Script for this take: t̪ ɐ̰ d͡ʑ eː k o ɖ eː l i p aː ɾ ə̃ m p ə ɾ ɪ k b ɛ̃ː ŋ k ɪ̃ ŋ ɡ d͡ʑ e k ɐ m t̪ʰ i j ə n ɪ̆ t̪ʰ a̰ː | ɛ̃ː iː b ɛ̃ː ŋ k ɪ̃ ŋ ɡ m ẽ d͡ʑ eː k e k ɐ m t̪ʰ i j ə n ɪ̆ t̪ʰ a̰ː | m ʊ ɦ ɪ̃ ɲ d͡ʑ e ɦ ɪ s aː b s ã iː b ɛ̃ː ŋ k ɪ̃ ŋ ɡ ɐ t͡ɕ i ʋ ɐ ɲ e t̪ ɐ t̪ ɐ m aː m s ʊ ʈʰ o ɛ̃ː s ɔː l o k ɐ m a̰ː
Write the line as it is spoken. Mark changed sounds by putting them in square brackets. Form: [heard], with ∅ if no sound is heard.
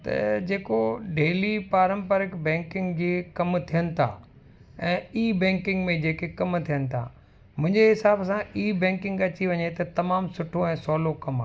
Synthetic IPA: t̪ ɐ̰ d͡ʑ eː k o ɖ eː l i p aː ɾ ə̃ m p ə ɾ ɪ k b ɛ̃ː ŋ k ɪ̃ ŋ ɡ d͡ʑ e k ɐ m t̪ʰ i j ə n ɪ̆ t̪ʰ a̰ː | ɛ̃ː iː b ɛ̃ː ŋ k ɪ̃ ŋ ɡ m ẽ d͡ʑ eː k e k ɐ m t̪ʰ i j ə n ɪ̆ t̪ʰ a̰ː | m [ʊ̃] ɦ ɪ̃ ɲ d͡ʑ e ɦ ɪ s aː b s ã iː b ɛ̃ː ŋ k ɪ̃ ŋ ɡ ɐ t͡ɕ i ʋ ɐ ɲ e t̪ ɐ t̪ ɐ m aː m s ʊ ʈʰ o ɛ̃ː s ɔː l o k ɐ m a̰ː